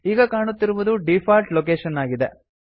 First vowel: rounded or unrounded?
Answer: unrounded